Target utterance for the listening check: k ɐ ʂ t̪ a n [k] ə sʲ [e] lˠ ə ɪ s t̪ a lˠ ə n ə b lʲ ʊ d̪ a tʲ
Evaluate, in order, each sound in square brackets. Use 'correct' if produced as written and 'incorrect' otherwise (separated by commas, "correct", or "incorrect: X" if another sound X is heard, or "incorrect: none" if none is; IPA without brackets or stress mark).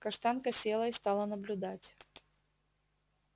correct, correct